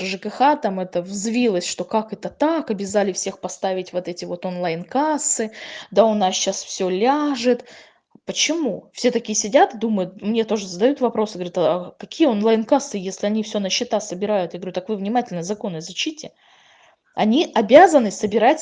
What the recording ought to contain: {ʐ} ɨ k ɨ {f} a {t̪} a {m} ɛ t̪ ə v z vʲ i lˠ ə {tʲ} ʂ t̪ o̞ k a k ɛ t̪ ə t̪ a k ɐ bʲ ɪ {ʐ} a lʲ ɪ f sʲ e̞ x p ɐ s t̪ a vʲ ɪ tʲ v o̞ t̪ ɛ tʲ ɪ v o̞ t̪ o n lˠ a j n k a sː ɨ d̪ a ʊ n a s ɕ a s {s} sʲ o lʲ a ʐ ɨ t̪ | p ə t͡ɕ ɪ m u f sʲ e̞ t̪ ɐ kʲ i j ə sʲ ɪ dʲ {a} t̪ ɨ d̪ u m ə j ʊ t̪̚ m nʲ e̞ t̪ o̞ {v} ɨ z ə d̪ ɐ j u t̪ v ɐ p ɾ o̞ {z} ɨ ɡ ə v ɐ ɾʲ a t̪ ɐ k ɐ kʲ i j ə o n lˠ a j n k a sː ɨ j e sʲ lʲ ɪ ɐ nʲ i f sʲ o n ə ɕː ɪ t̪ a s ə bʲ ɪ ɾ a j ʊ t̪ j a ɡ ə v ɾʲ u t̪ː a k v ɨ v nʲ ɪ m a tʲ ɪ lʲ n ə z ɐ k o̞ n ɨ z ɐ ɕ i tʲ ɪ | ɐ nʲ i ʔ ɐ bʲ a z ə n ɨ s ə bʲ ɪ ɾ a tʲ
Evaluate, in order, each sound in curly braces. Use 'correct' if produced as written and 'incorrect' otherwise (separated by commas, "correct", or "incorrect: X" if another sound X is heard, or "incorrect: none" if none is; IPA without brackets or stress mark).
correct, incorrect: x, correct, correct, incorrect: sʲ, incorrect: z, incorrect: f, correct, incorrect: ʐ, incorrect: s